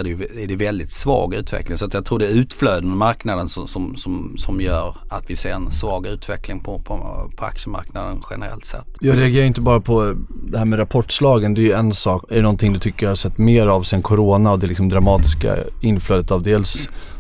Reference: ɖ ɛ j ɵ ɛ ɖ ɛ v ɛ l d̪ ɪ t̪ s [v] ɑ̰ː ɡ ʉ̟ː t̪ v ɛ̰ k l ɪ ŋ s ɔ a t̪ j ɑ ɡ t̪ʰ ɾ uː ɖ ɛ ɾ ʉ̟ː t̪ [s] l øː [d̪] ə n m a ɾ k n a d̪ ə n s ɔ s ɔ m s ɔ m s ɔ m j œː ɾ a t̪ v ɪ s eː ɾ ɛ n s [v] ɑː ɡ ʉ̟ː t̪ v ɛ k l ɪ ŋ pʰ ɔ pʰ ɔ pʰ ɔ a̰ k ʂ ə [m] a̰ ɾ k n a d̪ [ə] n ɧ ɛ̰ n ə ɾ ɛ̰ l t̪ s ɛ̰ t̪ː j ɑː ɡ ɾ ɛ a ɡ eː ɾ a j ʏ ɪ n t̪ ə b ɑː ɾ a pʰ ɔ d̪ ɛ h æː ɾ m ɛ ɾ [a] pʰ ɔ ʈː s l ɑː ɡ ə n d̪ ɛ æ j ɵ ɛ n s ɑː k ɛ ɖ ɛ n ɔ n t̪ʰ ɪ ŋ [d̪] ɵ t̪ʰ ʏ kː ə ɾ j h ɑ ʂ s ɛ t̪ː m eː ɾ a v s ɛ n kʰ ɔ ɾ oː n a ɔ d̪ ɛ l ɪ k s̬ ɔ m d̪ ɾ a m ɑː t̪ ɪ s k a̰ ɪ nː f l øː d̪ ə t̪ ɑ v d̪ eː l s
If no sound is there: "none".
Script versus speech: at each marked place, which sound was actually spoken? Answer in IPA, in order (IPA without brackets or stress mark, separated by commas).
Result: v, f, d̪, v, m, ə, a, d̪